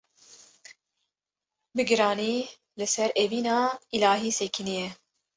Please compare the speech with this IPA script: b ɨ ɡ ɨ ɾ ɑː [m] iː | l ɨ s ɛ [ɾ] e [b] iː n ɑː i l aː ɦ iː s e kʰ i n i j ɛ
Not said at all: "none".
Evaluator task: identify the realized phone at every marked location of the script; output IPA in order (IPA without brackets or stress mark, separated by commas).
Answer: n, ɾ, v